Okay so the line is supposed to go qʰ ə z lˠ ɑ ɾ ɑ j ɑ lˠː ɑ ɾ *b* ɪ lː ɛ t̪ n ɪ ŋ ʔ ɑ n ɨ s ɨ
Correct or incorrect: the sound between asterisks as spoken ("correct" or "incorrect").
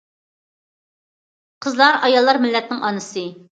incorrect